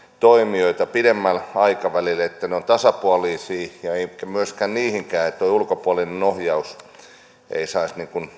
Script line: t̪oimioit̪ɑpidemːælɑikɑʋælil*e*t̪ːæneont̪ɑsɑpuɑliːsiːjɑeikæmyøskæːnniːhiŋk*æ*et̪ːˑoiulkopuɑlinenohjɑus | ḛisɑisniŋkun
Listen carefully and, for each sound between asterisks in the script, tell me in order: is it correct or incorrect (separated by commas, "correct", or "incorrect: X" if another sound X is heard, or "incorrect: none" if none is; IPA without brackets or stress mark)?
correct, incorrect: æː